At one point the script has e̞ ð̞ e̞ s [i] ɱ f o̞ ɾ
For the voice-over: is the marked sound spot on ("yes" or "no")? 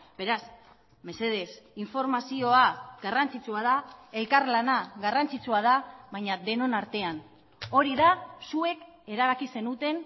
yes